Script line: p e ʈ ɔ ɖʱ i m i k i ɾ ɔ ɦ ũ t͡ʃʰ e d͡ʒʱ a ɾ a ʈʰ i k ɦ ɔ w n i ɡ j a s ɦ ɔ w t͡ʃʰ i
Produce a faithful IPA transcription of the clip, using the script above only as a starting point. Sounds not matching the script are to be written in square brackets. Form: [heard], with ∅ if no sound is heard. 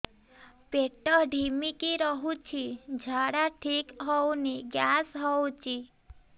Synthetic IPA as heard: p e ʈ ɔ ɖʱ i m i k i ɾ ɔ ɦ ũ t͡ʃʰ [i] d͡ʒʱ a [ɽ] a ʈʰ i k ɦ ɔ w n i ɡ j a s ɦ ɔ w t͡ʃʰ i